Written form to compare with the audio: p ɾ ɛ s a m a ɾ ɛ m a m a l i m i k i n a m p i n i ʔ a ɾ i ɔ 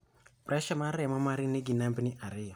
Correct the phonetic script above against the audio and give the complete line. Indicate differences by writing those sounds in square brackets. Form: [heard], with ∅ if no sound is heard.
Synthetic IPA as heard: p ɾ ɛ [ʃ] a m a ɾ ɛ m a m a [ɾ] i [n] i [ɡ] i n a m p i n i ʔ a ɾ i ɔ